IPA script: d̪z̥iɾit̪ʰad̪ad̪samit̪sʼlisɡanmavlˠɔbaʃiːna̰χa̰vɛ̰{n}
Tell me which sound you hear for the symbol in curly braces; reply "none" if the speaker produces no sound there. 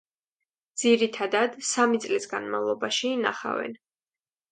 n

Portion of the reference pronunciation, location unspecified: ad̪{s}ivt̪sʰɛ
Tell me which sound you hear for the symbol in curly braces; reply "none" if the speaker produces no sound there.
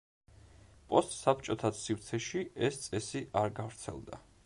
s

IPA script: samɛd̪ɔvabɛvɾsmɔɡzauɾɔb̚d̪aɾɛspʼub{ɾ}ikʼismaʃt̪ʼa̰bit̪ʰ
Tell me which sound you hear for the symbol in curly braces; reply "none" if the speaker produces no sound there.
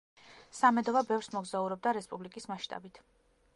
l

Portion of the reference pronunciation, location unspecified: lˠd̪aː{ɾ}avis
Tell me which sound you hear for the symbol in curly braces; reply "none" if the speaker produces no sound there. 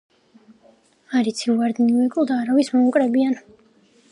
ɾ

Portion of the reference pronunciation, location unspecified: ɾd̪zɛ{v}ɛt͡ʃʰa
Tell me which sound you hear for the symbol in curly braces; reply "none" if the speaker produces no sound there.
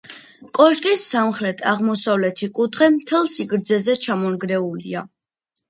z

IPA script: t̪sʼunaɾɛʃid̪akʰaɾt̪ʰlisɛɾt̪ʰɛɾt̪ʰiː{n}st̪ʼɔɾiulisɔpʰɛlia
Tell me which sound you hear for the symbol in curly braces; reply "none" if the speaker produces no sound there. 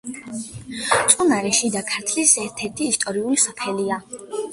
none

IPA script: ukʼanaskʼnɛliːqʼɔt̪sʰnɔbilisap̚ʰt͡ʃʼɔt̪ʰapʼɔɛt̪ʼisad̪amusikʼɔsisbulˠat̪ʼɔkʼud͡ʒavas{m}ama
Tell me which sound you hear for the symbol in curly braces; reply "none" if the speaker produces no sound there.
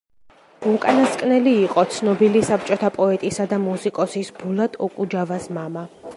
m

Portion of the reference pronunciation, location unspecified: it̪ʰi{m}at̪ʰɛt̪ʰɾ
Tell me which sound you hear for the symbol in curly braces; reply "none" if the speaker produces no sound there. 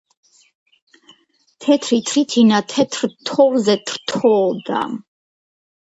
n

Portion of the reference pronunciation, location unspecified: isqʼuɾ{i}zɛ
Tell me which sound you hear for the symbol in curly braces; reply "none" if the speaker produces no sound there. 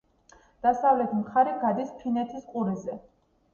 i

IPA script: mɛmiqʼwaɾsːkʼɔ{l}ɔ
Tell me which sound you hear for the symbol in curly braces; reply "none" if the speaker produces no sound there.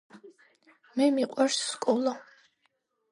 l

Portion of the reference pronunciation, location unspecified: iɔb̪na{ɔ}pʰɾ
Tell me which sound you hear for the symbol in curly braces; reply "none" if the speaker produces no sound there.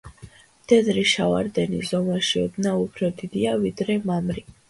u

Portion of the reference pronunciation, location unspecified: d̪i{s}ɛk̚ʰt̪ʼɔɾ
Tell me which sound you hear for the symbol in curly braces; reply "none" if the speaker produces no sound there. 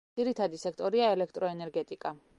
s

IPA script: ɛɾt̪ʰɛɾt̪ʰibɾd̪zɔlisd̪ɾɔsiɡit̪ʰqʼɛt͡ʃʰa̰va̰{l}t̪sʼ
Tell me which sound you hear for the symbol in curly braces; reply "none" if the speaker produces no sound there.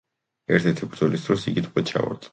ɾ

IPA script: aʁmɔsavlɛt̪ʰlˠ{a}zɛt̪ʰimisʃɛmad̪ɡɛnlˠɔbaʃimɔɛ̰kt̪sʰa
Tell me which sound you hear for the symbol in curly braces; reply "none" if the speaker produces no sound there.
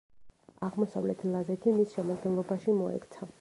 a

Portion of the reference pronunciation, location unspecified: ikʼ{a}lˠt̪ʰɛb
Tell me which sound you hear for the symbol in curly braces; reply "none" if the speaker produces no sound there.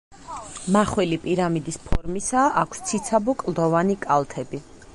a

